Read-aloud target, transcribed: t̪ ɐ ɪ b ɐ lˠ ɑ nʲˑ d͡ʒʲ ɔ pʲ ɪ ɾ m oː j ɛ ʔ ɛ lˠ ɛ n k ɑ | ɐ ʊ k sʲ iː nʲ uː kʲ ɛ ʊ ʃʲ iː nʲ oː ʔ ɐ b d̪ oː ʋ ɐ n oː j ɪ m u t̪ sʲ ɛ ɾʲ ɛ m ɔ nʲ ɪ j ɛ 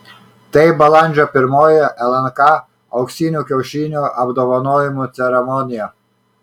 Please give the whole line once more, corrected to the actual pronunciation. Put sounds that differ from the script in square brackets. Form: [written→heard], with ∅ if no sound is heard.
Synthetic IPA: t̪ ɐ ɪ b ɐ lˠ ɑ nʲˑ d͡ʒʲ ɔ pʲ ɪ ɾ m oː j ɛ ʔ ɛ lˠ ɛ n k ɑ | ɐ ʊ k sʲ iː nʲ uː kʲ ɛ ʊ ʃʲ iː nʲ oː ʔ ɐ b d̪ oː ʋ ɐ n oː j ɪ m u t̪ sʲ ɛ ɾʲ ɛ m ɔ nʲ ɪ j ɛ